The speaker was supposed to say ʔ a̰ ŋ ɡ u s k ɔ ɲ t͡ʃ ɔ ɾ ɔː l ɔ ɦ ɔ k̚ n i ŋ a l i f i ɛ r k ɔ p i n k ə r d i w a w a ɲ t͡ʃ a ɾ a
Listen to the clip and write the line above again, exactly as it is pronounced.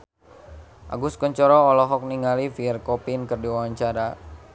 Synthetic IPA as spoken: ʔ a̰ ɡ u s k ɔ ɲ t͡ʃ ɔ ɾ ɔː l ɔ ɦ ɔ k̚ n i ŋ a l i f i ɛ r k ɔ p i n k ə r d i w a w a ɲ t͡ʃ a ɾ a

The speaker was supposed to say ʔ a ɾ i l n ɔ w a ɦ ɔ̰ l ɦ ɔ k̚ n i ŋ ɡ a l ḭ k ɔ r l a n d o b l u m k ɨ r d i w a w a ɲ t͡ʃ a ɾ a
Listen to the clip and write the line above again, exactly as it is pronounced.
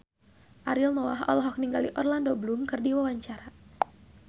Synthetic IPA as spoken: ʔ a ɾ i l n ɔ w a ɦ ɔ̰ l ɦ ɔ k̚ n i ŋ ɡ a l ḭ ʔ ɔ r l a n d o b l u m k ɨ r d i w a w a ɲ t͡ʃ a ɾ a

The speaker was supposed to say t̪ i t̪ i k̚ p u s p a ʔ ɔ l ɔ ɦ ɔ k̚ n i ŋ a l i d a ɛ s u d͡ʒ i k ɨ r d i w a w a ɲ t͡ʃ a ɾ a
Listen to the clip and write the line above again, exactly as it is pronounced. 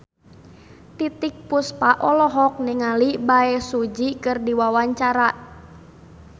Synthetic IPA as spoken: t̪ i t̪ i k̚ p u s p a ʔ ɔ l ɔ ɦ ɔ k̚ n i ŋ a l i b a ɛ s u d͡ʒ i k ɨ r d i w a w a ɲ t͡ʃ a ɾ a

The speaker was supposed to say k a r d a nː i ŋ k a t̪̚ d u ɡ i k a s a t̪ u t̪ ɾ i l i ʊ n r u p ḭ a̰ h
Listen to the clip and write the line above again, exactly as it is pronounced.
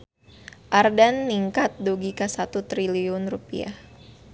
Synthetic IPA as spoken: ʔ a r d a nː i ŋ k a t̪̚ d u ɡ i k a s a t̪ u t̪ ɾ i l i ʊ n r u p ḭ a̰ h

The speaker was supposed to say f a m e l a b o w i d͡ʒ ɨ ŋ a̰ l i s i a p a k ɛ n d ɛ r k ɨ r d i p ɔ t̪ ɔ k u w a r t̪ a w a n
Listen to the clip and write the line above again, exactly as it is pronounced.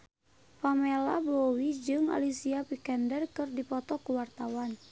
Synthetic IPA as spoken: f a m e l a b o w i d͡ʒ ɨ ŋ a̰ l i s i a p i k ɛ n d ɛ r k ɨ r d i p ɔ t̪ ɔ k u w a r t̪ a w a n

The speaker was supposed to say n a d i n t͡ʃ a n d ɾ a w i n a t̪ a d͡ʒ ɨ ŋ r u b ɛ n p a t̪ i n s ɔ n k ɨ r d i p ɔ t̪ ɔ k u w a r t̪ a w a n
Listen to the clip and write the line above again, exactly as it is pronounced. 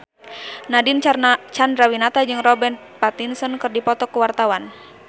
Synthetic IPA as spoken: n a d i n t͡ʃ a n d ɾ a w i n a t̪ a d͡ʒ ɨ ŋ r ɔ b ɛ n p a t̪ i n s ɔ n k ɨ r d i p ɔ t̪ ɔ k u w a r t̪ a w a n

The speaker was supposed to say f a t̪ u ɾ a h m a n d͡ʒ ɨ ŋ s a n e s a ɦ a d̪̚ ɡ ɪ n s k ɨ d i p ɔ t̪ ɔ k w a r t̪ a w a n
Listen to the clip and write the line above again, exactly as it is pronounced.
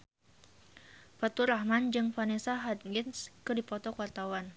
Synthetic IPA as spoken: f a t̪ u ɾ a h m a n d͡ʒ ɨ ŋ f a n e s a ɦ a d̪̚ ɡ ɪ n s k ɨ d i p ɔ t̪ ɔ k w a r t̪ a w a n

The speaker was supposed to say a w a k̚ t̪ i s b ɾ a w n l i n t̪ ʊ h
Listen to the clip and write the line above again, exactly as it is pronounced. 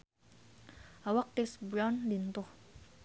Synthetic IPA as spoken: a w a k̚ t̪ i s b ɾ a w n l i n t̪ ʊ h

